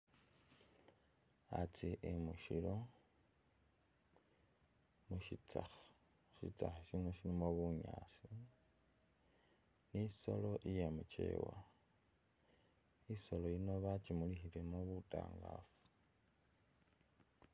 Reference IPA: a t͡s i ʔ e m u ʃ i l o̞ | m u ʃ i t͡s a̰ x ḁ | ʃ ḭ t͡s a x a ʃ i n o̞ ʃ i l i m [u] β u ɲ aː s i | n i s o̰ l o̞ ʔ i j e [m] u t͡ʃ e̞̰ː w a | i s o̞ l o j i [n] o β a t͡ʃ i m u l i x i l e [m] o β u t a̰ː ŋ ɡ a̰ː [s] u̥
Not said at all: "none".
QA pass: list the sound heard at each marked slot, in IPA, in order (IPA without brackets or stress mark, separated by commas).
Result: o, m, n, m, f